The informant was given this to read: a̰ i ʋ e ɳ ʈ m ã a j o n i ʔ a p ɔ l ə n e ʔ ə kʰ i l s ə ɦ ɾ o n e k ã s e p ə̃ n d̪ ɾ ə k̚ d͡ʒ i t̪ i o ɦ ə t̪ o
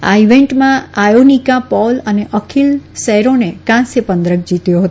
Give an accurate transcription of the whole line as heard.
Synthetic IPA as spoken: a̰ i ʋ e ɳ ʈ m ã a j o n i k a p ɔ l ə n e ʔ ə kʰ i l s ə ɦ ɾ o n e k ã s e p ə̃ n d̪ ɾ ə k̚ d͡ʒ i t̪ j o ɦ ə t̪ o